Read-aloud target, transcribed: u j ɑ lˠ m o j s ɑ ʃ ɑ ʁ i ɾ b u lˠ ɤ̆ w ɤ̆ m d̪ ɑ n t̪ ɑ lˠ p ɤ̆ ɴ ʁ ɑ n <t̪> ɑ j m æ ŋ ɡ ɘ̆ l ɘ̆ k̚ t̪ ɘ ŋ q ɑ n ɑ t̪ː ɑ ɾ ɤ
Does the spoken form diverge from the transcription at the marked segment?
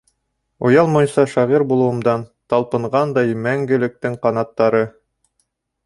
yes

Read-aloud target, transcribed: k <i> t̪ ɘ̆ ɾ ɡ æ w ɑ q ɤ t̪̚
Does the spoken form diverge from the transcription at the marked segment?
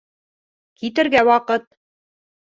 no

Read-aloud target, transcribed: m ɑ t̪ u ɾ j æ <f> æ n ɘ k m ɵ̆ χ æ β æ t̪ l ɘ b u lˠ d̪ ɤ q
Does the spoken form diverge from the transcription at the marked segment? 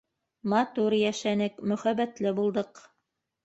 yes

